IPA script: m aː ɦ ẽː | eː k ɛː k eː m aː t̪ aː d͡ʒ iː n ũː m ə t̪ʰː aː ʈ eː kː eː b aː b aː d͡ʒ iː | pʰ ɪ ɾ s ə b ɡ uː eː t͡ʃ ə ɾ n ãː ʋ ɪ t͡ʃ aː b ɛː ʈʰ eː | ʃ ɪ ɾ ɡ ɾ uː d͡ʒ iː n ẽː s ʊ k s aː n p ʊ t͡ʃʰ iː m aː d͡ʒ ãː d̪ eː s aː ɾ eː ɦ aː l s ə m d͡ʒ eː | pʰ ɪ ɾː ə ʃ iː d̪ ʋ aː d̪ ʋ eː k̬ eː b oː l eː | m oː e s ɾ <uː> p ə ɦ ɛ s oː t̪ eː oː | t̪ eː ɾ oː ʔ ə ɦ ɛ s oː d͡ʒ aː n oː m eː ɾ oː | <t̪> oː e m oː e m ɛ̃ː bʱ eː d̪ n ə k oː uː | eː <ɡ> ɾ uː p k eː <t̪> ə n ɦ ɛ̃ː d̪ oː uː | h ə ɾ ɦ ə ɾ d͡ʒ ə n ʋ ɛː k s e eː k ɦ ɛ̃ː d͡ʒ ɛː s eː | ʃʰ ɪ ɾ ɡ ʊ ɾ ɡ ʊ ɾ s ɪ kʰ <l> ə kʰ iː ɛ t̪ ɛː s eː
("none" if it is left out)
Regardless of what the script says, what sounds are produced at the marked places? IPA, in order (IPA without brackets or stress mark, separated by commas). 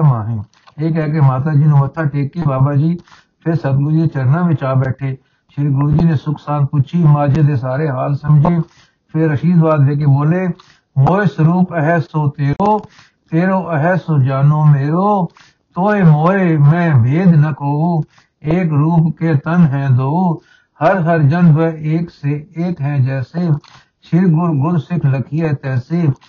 uː, t̪, k, t̪, l